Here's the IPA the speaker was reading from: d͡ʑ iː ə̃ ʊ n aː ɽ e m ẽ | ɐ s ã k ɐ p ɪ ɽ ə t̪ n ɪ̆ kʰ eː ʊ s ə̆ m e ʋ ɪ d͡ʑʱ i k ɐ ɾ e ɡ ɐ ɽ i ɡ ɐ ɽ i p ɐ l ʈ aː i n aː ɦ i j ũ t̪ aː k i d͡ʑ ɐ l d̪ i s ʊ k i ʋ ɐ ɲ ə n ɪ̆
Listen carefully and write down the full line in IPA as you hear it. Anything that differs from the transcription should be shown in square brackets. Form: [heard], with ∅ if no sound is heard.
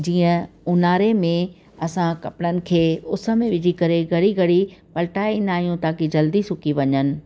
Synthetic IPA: d͡ʑ iː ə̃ ʊ n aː [ɾ] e m ẽ | ɐ s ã k ɐ p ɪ ɽ ə [∅] n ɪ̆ kʰ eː ʊ s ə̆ m [ẽ] ʋ ɪ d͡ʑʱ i k ɐ ɾ e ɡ ɐ ɽ i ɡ ɐ ɽ i p ɐ l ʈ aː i n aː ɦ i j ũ t̪ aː k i d͡ʑ ɐ l d̪ i s ʊ k i ʋ ɐ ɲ ə n ɪ̆